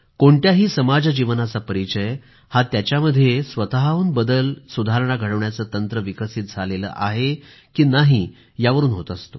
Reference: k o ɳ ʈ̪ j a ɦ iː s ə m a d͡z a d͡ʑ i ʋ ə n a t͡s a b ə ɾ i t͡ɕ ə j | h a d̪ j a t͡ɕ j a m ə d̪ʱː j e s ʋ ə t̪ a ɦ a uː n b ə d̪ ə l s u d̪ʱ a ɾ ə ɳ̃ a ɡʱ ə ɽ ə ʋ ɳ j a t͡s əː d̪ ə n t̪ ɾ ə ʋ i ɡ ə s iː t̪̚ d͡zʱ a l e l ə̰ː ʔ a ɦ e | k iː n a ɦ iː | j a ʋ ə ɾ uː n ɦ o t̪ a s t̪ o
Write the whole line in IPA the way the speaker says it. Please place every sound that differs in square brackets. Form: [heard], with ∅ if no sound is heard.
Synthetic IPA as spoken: k o ɳ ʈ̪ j a ɦ iː s ə m a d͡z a d͡ʑ i ʋ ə n a t͡s a [p] ə ɾ i t͡ɕ ə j | h a [t̪] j a t͡ɕ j a m ə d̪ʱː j e s ʋ ə t̪ a ɦ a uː n b ə d̪ ə l s u d̪ʱ a ɾ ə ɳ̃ a ɡʱ ə ɽ ə ʋ ɳ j a t͡s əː [t̪] ə n t̪ ɾ ə ʋ i [k] ə s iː t̪̚ d͡zʱ a l e l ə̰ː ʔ a ɦ e | k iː n a ɦ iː | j a ʋ ə ɾ uː n ɦ o t̪ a s t̪ o

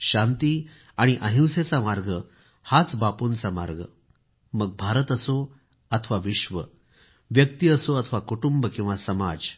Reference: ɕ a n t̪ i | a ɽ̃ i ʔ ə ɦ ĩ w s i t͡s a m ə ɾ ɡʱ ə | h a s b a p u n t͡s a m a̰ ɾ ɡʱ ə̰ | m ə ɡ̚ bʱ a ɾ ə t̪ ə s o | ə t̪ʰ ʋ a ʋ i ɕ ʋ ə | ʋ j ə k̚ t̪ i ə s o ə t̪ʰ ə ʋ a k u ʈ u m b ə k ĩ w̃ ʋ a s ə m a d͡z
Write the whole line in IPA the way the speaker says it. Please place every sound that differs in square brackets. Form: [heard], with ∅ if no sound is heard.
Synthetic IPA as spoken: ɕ a n t̪ i | a ɽ̃ i ʔ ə ɦ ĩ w s [e] t͡s a m [a] ɾ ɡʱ ə | h a [t͡s] b a p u n t͡s a m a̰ ɾ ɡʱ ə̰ | m ə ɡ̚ bʱ a ɾ ə t̪ ə s o | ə t̪ʰ ʋ a ʋ i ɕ ʋ ə | ʋ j ə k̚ t̪ i ə s o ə t̪ʰ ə ʋ a k u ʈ u m b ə k ĩ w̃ ʋ a s ə m a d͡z

